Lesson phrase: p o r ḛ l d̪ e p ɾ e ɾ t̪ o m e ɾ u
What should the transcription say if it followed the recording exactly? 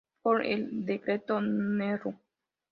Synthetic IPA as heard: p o ɾ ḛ l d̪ e k ɾ e t̪ o n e ɾ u